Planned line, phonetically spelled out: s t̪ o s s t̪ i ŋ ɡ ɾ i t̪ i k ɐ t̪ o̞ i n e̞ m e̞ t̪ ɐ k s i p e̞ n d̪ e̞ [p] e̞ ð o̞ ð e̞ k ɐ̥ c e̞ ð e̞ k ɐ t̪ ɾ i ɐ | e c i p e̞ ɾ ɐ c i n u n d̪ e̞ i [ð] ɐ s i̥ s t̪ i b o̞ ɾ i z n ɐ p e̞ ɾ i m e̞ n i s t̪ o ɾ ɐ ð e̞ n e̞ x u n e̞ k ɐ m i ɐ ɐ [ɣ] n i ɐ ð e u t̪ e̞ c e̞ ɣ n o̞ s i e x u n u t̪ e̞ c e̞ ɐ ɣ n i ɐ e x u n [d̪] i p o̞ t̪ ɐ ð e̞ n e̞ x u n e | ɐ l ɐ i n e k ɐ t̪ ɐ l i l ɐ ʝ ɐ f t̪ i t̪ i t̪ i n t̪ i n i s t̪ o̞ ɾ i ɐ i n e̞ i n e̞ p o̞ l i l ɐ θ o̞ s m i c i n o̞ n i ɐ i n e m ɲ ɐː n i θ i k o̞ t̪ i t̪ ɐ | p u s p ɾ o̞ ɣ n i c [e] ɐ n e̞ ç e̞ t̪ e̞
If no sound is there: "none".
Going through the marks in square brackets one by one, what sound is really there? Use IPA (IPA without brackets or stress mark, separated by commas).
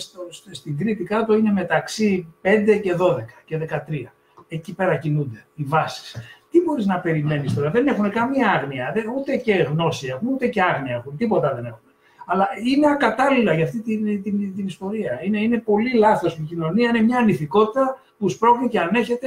c, v, ɣ, t̪, e